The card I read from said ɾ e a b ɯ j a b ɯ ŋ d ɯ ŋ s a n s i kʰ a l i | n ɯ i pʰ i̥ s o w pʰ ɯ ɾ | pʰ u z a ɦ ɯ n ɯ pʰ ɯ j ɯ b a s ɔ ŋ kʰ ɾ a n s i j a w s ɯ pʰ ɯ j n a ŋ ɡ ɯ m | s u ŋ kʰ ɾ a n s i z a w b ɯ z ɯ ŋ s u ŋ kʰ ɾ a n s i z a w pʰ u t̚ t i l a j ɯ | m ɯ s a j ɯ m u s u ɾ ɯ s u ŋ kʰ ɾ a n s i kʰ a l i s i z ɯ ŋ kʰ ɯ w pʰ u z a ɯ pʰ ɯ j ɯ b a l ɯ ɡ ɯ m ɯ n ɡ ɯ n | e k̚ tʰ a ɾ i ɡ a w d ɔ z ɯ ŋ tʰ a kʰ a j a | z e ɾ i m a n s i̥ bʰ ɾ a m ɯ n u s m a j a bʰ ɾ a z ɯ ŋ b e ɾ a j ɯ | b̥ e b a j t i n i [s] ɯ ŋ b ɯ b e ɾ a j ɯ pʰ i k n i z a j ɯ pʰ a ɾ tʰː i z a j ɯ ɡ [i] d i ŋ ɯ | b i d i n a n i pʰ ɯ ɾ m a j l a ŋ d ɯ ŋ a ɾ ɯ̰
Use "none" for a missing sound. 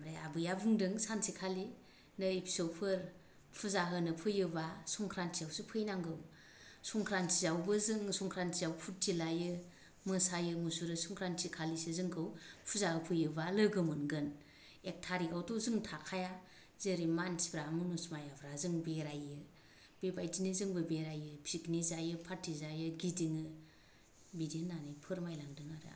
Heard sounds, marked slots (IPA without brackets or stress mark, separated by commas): z, i